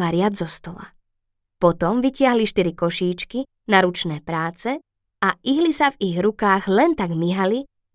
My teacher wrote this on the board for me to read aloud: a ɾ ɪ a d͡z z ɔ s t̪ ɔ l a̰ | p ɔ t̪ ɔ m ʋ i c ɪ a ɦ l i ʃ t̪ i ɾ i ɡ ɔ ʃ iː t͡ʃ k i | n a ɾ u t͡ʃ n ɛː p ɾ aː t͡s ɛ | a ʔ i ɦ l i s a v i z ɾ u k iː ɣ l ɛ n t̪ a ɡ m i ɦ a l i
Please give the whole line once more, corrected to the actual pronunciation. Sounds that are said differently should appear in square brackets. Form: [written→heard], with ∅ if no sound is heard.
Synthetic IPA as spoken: a ɾ ɪ a d͡z z ɔ s t̪ ɔ l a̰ | p ɔ t̪ ɔ m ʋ i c ɪ a ɦ l i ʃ t̪ i ɾ i [ɡ→k] ɔ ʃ iː t͡ʃ k i | n a ɾ u t͡ʃ n ɛː p ɾ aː t͡s ɛ | a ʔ i ɦ l i s a v i [z→ɣ] ɾ u k [iː→aː] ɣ l ɛ n t̪ a ɡ m i ɦ a l i